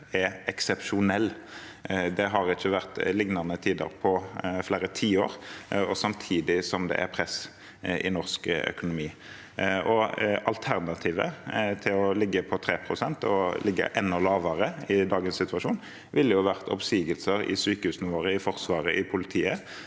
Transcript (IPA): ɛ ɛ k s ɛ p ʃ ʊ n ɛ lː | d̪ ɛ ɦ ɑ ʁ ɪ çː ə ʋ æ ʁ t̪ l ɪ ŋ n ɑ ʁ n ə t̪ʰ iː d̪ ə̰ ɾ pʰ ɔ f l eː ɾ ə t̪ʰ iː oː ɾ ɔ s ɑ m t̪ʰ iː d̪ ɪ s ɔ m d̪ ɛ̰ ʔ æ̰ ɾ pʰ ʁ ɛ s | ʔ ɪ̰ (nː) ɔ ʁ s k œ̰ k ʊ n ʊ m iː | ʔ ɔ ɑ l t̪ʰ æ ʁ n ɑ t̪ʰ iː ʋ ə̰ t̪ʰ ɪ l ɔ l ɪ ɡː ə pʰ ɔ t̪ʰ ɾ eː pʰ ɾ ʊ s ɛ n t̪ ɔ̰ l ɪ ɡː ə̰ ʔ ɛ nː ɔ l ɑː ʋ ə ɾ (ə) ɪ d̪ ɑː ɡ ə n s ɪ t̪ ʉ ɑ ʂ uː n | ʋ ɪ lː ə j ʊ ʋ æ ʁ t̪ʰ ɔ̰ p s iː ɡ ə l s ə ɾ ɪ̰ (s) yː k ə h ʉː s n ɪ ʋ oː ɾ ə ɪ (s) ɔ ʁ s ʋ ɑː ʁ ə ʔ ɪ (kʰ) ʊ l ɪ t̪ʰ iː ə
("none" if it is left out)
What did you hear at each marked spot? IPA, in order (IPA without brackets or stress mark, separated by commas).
n, ə, s, f, pʰ